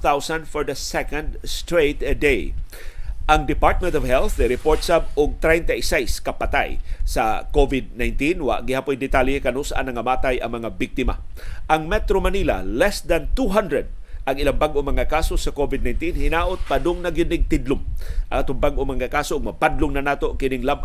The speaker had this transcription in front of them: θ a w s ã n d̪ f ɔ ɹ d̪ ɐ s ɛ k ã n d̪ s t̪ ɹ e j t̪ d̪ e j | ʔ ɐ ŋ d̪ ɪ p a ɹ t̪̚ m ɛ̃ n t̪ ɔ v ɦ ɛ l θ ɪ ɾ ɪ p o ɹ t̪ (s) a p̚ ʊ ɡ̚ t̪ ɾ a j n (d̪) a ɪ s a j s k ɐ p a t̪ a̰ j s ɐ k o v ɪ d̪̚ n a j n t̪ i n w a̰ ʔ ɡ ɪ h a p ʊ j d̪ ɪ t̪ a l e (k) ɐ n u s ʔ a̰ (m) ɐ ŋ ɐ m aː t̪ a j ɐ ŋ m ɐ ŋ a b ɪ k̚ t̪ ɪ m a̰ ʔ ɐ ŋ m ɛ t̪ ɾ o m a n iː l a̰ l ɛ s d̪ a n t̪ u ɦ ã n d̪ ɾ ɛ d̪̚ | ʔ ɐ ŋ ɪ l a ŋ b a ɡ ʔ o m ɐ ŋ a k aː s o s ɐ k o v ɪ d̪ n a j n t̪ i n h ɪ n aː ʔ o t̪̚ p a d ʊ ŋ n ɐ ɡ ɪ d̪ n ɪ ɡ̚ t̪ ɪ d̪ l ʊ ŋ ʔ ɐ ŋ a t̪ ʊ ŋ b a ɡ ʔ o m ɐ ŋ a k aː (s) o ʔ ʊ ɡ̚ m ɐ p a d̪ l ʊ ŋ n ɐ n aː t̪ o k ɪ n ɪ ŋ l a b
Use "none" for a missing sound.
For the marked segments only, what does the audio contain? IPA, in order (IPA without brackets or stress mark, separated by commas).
s, t̪, k, n, s